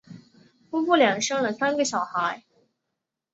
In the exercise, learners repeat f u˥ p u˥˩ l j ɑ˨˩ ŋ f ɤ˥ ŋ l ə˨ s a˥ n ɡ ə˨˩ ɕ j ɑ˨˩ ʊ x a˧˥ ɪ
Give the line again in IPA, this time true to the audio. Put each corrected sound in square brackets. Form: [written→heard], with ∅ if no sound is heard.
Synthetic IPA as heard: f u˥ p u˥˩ l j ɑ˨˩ ŋ [f→ʂ] ɤ˥ ŋ l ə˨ s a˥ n ɡ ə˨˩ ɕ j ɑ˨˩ ʊ x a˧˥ ɪ